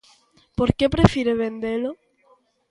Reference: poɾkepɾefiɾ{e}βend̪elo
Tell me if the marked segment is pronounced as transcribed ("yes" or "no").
yes